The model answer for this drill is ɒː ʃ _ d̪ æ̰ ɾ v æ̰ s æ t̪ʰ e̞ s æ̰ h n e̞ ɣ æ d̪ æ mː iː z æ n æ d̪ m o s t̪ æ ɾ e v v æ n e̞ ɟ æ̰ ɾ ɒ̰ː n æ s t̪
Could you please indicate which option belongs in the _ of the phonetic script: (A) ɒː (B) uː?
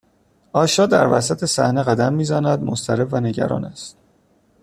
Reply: A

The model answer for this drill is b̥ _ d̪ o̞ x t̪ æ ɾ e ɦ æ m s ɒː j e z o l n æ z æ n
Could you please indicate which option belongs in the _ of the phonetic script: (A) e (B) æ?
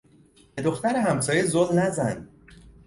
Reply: A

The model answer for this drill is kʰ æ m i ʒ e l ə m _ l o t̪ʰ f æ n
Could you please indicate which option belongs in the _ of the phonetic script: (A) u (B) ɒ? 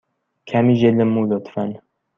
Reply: A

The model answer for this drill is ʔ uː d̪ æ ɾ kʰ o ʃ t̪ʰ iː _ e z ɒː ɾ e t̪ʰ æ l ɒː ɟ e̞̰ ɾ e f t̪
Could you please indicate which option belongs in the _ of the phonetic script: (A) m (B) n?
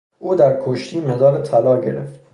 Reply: A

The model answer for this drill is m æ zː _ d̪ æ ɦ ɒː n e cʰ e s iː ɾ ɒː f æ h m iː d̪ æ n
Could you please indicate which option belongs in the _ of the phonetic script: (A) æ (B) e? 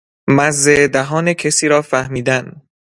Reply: B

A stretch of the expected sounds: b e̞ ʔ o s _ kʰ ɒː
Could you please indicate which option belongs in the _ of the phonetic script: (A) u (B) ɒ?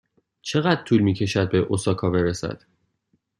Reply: B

